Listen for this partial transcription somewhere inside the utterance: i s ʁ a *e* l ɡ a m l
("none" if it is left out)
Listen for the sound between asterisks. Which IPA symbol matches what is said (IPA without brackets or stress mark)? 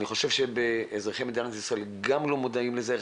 e